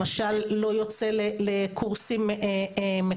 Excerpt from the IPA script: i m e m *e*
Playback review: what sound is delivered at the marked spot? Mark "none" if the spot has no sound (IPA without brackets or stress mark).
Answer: e